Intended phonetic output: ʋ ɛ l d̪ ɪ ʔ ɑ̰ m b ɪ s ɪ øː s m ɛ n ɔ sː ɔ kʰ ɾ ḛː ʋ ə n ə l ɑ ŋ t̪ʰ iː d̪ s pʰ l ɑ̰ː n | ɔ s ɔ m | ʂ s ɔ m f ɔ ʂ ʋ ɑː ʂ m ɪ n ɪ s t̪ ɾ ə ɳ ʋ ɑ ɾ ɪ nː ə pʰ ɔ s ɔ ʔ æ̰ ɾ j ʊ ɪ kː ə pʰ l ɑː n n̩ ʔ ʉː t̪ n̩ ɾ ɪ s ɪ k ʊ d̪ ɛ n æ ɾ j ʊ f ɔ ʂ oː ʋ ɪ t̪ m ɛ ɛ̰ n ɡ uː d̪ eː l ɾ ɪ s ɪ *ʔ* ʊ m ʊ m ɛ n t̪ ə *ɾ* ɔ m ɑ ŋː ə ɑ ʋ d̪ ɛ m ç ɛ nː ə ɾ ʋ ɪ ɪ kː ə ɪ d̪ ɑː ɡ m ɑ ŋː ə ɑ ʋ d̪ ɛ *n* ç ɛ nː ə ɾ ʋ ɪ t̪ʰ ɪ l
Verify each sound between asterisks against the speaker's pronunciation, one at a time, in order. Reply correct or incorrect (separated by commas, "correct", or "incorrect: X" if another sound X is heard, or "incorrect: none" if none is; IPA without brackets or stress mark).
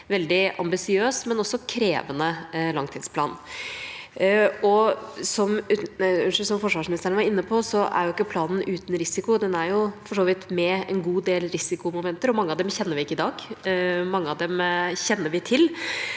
incorrect: k, correct, incorrect: m